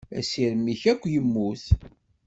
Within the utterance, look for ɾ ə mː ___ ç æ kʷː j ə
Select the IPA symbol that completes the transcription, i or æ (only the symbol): i